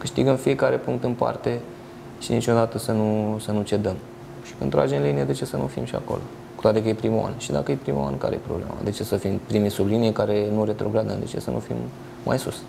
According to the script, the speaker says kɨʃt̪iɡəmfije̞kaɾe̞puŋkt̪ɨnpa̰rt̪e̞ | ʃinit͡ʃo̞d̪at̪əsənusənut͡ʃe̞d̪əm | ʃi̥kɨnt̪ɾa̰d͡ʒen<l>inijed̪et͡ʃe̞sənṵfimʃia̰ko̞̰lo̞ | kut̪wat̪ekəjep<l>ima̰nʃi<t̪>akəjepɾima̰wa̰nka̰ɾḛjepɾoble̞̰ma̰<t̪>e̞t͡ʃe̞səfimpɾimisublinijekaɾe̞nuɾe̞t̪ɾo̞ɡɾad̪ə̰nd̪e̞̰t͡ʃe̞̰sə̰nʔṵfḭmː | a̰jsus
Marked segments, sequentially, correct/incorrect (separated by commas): correct, incorrect, incorrect, incorrect